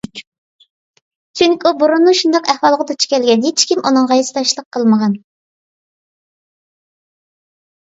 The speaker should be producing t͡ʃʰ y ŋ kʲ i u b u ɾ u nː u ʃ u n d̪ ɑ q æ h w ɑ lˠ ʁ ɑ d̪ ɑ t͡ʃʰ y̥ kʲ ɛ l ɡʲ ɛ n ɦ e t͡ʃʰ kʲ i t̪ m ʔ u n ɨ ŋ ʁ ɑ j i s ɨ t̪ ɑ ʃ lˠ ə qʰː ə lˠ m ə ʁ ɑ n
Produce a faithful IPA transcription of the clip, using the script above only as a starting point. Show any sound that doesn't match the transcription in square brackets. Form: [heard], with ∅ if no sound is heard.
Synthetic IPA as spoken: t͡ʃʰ y ŋ kʲ i u b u ɾ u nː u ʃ u n d̪ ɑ q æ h w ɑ lˠ ʁ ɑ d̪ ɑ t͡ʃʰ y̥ kʲ ɛ l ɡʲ ɛ n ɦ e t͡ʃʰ kʲ i [∅] m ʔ u n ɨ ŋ ʁ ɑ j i s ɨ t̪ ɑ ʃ lˠ ə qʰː ə lˠ m ə ʁ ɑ n